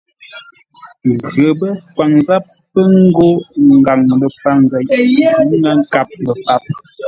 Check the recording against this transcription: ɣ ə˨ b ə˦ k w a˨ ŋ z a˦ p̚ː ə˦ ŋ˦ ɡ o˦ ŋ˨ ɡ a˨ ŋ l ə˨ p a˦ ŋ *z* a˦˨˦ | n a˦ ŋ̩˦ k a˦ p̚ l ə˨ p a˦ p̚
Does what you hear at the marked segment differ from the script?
no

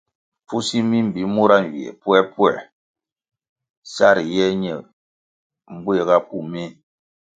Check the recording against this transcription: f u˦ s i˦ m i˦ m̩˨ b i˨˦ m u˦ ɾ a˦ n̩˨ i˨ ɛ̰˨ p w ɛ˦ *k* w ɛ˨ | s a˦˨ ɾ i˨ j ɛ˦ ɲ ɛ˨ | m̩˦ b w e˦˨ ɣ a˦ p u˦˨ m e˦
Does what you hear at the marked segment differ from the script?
yes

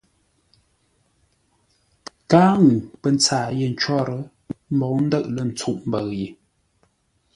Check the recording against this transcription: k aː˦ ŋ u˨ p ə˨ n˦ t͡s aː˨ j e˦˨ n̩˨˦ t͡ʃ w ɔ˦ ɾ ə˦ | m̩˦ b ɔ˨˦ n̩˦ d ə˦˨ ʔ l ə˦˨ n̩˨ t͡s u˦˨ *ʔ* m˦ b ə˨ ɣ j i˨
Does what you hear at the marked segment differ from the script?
no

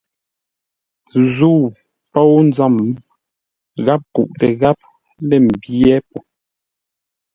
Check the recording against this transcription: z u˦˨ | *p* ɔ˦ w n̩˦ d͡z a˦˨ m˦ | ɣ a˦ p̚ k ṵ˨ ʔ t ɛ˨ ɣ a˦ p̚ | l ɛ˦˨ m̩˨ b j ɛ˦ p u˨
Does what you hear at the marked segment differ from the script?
no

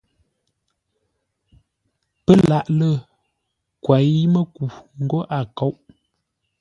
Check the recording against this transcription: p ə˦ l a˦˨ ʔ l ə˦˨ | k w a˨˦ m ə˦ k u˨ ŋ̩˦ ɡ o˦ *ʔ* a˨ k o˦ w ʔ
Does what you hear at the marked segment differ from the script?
no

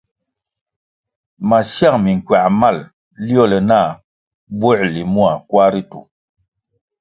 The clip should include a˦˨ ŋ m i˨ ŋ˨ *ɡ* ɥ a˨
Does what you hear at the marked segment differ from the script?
yes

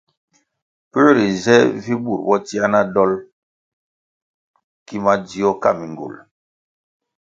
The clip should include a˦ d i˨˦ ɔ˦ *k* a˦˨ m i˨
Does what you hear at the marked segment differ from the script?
no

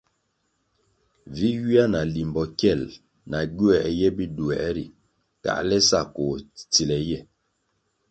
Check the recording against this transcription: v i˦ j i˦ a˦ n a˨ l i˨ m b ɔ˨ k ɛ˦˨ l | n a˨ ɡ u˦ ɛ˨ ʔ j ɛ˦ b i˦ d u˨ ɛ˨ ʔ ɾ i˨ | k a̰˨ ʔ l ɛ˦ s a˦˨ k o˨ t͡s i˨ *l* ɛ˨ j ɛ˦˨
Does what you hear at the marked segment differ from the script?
no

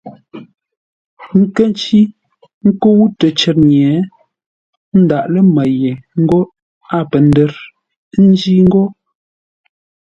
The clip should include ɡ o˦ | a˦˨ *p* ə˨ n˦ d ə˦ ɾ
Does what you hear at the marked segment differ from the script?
no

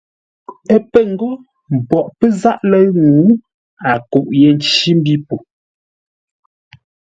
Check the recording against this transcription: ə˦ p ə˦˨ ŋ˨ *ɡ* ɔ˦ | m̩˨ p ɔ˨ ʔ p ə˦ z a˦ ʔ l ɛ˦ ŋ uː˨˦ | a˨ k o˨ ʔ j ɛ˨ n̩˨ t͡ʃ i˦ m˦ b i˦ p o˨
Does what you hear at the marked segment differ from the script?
no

